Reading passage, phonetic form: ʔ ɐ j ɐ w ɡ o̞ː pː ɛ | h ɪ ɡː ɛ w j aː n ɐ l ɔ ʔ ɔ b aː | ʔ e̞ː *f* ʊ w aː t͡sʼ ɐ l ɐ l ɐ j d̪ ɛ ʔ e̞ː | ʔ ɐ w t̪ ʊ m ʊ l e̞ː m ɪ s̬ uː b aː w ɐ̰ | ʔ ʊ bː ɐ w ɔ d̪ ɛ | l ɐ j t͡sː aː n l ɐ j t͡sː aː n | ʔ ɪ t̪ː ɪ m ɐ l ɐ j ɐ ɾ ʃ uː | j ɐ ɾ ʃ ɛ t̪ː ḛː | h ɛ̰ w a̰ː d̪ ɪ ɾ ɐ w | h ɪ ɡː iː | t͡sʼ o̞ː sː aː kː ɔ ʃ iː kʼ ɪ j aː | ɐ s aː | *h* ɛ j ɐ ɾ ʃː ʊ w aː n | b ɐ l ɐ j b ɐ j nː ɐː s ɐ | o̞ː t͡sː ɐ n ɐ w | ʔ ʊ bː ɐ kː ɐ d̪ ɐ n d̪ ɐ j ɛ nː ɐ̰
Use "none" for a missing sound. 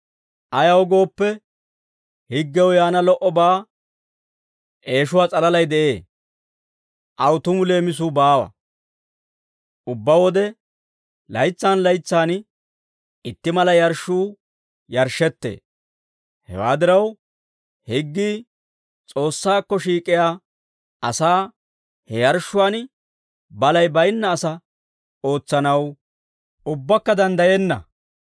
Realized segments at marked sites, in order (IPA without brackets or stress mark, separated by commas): ʃ, h